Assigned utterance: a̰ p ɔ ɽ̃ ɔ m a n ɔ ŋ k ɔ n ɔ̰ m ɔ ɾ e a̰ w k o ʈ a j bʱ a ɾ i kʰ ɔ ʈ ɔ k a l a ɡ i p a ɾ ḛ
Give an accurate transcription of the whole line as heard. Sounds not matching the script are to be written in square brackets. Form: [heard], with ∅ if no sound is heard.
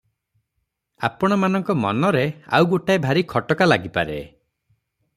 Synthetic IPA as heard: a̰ p ɔ ɽ̃ ɔ m a n ɔ ŋ k ɔ [m] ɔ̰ [n] ɔ ɾ e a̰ w [ɡ] o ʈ a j bʱ a ɾ i kʰ ɔ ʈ ɔ k a l a ɡ i p a ɾ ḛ

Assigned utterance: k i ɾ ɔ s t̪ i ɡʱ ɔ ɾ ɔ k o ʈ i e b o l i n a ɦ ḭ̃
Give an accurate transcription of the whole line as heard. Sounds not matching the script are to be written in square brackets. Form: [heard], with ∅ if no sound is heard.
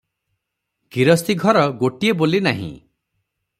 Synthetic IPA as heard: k i ɾ ɔ s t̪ i ɡʱ ɔ ɾ ɔ [ɡ] o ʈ i e b o l i n a ɦ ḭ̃

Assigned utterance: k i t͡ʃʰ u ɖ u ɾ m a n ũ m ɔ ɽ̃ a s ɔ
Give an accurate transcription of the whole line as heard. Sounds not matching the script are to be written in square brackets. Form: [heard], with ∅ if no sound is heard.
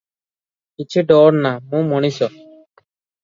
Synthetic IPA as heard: k i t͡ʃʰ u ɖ [ɔ] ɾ [n] a [m] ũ m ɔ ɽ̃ [i] s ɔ

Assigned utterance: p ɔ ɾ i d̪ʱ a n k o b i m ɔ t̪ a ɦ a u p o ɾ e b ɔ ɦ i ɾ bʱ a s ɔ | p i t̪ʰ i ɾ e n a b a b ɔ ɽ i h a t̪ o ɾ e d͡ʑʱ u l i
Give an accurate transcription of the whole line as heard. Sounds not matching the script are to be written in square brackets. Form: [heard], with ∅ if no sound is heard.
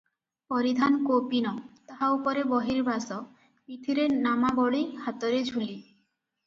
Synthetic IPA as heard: p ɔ ɾ i d̪ʱ a n k o [p] i [n] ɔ t̪ a ɦ a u p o ɾ e b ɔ ɦ i ɾ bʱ a s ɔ | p i t̪ʰ i ɾ e n a [m] a b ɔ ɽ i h a t̪ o ɾ e d͡ʑʱ u l i

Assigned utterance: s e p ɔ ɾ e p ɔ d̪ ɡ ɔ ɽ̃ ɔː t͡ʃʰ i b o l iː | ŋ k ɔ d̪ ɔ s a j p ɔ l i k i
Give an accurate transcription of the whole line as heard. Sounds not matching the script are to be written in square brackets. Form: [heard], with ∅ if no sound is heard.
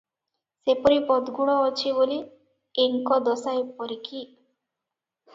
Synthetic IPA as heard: s e p ɔ ɾ [i] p ɔ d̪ ɡ [u] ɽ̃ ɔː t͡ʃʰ i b o l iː | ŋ k ɔ d̪ ɔ s a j p ɔ [ɾ] i k i

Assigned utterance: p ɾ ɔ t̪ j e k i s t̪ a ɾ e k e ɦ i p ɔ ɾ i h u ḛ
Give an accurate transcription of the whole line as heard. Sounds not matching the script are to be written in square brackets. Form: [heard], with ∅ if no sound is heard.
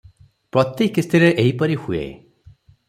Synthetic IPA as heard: p ɾ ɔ t̪ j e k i s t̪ [i] ɾ e [ʔ] e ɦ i p ɔ ɾ i h u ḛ

